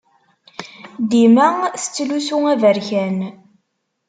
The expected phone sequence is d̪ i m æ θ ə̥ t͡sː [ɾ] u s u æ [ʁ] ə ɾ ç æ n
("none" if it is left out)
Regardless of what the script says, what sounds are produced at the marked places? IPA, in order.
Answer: l, v

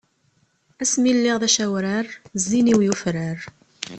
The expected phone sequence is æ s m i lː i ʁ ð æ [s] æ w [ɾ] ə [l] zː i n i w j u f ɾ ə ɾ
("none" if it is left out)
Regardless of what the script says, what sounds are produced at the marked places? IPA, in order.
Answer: ʃ, ɾ, ɾ

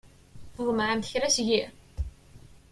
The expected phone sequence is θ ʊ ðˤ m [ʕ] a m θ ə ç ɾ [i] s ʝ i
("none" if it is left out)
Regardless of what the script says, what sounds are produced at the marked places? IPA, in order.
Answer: ʕ, æ

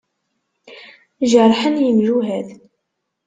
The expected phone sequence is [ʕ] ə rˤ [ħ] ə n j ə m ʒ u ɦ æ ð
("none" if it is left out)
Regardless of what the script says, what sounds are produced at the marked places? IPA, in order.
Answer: ʒ, ħ

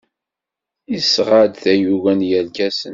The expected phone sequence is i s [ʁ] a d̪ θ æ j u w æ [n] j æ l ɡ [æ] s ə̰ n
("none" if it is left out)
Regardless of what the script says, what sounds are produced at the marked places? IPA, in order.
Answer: ʁ, n, æ

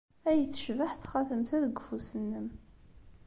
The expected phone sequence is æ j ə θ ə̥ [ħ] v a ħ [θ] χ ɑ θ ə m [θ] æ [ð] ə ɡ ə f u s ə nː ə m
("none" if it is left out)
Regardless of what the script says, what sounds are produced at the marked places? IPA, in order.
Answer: ʃ, θ, θ, ð

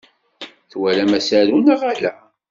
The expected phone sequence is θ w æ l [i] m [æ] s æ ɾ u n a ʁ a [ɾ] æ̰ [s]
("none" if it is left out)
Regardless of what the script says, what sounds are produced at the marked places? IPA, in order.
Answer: æ, æ, l, none

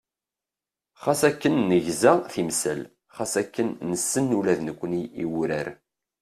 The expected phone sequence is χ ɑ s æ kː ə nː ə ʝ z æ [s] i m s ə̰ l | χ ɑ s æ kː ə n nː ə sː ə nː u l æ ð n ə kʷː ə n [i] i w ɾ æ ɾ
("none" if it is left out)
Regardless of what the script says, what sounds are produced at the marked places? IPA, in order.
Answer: θ, i

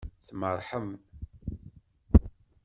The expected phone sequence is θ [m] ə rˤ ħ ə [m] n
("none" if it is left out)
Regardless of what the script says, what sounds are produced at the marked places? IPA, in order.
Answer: m, m

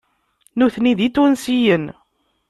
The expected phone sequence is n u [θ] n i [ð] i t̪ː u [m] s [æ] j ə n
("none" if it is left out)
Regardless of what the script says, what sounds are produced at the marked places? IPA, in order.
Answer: θ, ð, n, i

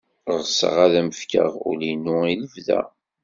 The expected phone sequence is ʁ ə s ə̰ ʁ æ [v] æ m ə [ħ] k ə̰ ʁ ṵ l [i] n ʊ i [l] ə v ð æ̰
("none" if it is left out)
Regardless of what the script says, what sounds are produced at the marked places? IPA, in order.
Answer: ð, f, i, l

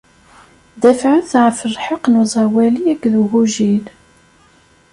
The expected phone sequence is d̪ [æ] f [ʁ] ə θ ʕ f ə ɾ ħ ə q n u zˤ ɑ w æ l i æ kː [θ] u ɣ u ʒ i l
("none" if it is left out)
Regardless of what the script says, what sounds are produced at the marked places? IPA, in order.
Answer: æ, ʕ, ð

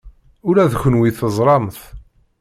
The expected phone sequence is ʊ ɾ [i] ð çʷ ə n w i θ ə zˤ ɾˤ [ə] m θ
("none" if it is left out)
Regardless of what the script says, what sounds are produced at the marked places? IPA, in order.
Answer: æ, ɑ

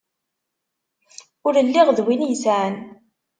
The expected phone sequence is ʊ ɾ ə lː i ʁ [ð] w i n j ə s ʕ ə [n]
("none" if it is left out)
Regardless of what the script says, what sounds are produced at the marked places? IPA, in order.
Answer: ð, n

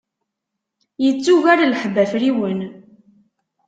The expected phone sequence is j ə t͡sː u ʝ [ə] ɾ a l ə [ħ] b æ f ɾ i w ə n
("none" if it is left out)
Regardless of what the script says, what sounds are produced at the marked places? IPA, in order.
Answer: a, ħ

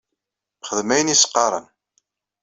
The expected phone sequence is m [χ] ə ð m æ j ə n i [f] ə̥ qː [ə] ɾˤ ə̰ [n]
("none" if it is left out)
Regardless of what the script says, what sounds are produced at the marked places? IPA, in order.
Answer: χ, s, ɑ, n

